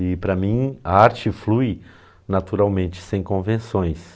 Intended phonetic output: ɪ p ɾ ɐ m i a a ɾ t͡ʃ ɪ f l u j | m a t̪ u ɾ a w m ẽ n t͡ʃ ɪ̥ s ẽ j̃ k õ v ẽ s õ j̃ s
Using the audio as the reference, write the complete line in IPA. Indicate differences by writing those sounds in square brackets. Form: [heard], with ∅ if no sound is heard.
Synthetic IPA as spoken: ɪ p ɾ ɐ m [ĩ] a a ɾ t͡ʃ ɪ f l u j | [n] a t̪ u ɾ a w m ẽ n t͡ʃ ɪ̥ s ẽ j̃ k õ v ẽ s õ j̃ s

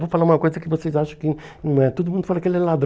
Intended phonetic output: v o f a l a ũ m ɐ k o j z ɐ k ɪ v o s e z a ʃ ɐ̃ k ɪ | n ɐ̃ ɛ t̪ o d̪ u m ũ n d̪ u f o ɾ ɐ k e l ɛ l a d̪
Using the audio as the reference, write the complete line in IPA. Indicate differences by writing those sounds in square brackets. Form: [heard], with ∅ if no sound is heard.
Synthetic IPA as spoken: v o f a l a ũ m ɐ k o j z ɐ k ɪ v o s e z a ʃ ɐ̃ k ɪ | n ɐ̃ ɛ t̪ o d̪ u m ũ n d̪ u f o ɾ ɐ k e l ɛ l a d̪

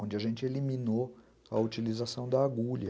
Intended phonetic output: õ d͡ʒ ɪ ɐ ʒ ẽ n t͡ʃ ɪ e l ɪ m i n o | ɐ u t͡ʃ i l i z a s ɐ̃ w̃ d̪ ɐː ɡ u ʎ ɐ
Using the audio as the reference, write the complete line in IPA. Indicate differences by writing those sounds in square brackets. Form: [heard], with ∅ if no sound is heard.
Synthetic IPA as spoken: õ d͡ʒ ɪ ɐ ʒ ẽ n t͡ʃ ɪ e l [i] m i n o | ɐ u t͡ʃ i l i z a s ɐ̃ w̃ d̪ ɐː ɡ u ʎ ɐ

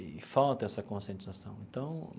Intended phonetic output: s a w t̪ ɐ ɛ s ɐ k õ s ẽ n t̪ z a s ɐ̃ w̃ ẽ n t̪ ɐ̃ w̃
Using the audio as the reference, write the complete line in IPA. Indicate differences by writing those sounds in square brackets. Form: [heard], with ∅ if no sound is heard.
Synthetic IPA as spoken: [f] a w t̪ ɐ ɛ s ɐ k õ s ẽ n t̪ z a s ɐ̃ w̃ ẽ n t̪ ɐ̃ w̃

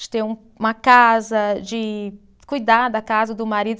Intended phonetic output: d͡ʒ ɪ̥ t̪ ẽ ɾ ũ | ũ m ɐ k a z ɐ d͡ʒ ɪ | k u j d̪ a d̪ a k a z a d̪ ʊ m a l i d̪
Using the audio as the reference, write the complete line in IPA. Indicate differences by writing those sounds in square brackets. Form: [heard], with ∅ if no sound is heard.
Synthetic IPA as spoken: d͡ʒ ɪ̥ t̪ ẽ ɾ ũ | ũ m ɐ k a z ɐ d͡ʒ ɪ | k u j d̪ a d̪ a k a z [ɐ] d̪ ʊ m a [ɾ] i d̪

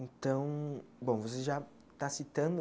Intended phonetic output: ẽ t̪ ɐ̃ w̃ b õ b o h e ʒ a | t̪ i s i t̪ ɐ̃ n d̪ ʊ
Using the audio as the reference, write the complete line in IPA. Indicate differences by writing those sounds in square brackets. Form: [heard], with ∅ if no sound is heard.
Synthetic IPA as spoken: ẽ t̪ ɐ̃ w̃ b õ [v] o [s] e ʒ a | t̪ [a] s i t̪ ɐ̃ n d̪ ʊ

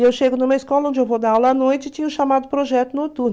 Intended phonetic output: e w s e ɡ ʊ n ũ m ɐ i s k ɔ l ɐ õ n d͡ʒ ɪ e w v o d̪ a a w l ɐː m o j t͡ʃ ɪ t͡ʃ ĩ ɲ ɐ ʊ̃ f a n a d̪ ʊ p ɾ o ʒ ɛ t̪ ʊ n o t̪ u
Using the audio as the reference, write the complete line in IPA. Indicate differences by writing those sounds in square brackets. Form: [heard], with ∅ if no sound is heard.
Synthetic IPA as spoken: e w [ʃ] e ɡ ʊ n ũ m ɐ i s k ɔ l ɐ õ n d͡ʒ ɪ e w v o d̪ a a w l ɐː [n] o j t͡ʃ ɪ t͡ʃ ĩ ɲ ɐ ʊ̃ [ʃ] a [m] a d̪ ʊ p ɾ o ʒ ɛ t̪ ʊ n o t̪ u

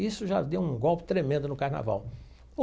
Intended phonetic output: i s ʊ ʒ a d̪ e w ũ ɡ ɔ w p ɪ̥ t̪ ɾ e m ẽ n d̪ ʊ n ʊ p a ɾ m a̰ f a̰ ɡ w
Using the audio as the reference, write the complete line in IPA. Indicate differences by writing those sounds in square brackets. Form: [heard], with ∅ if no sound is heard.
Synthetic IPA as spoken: i s ʊ ʒ a d̪ e w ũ ɡ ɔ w p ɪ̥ t̪ ɾ e m ẽ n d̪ ʊ n ʊ [k] a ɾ [n] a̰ [v] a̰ [∅] w

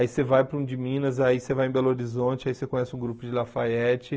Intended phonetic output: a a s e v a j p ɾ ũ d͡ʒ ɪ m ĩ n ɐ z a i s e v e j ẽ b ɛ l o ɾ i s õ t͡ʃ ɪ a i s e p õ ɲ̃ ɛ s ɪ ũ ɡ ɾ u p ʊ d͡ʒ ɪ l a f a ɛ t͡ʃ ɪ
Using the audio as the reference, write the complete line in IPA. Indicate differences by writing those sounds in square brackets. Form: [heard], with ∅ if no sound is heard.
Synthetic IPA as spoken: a [i] s e v a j p ɾ ũ d͡ʒ ɪ m ĩ n ɐ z a i s e v [a] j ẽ b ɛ l o ɾ i [z] õ t͡ʃ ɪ a i s e [k] õ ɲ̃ ɛ s ɪ ũ ɡ ɾ u p ʊ d͡ʒ ɪ l a f a ɛ t͡ʃ ɪ

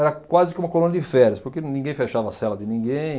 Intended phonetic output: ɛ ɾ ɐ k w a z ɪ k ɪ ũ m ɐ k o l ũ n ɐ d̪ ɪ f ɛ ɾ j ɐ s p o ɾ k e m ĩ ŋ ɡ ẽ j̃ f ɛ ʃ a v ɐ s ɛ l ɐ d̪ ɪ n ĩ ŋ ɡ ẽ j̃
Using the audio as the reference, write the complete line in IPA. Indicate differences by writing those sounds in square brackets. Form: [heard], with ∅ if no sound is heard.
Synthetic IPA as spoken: ɛ ɾ ɐ k w a z ɪ k ɪ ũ m ɐ k o l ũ n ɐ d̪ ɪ f ɛ ɾ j ɐ s p o ɾ k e [n] ĩ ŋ ɡ ẽ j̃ f [e] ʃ a v ɐ s ɛ l ɐ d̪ ɪ n ĩ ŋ ɡ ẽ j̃

